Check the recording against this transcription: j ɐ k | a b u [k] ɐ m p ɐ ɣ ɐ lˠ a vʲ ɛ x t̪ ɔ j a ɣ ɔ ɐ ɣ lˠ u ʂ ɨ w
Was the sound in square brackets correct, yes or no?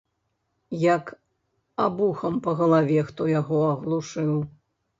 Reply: no